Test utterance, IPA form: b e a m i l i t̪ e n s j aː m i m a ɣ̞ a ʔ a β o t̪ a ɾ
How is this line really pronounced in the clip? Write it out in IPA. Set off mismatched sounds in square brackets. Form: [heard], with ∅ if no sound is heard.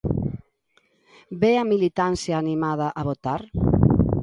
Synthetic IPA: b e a m i l i t̪ [a] n s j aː [n] i m a [ð̞] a ʔ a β o t̪ a ɾ

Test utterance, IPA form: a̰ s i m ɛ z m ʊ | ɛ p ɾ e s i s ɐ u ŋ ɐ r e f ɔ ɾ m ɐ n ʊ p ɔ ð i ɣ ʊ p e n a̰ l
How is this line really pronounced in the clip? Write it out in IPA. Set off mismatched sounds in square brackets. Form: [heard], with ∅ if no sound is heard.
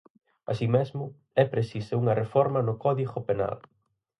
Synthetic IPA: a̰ s i m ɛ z m ʊ | ɛ p ɾ e s i s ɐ u ŋ ɐ r e f ɔ ɾ m ɐ n ʊ [k] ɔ ð i ɣ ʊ p e n a̰ l

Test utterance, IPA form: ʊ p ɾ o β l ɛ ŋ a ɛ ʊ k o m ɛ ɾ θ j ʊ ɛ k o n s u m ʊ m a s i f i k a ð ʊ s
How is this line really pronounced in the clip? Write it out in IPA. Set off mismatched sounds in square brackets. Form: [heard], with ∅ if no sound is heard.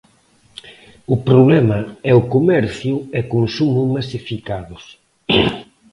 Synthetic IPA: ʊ p ɾ o β l ɛ [m] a ɛ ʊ k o m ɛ ɾ θ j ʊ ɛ k o n s u m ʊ m a s i f i k a ð ʊ s

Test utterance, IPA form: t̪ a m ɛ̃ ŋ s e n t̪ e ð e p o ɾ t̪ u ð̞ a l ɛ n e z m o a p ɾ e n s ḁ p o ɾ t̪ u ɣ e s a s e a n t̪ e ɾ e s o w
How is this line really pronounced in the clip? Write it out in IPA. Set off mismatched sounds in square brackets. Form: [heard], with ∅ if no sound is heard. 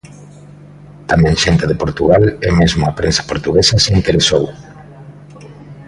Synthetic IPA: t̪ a m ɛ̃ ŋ [ʃ] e n t̪ e ð e p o ɾ t̪ u [ɣ̞] a l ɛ [m] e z m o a p ɾ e n s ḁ p o ɾ t̪ u ɣ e s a s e [i] n t̪ e ɾ e s o w

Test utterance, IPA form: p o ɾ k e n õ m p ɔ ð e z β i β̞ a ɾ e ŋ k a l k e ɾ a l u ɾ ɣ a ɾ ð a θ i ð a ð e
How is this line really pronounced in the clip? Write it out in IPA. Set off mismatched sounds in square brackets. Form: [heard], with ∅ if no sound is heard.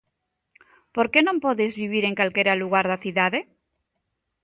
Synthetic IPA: p o ɾ k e n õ m p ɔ ð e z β i β̞ [i] ɾ e ŋ k a l k e ɾ a l u [∅] ɣ a ɾ ð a θ i ð a ð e

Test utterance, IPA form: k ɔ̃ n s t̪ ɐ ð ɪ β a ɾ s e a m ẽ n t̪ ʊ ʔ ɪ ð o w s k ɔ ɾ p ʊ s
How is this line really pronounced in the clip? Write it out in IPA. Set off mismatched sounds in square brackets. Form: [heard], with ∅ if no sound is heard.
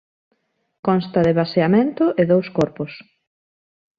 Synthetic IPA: k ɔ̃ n s t̪ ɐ ð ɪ β a [∅] s e a m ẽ n t̪ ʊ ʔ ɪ ð o w s k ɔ ɾ p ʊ s

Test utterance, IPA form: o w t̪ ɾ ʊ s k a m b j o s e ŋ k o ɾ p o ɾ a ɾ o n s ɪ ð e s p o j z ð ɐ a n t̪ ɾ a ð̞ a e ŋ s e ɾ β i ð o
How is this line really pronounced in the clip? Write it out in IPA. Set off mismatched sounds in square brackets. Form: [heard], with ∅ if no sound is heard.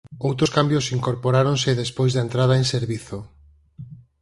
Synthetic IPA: o w t̪ ɾ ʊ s k a m b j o s [i] ŋ k o ɾ p o ɾ a ɾ o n s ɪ ð e s p o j z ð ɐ [e] n t̪ ɾ a ð̞ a e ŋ s e ɾ β i [θ] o

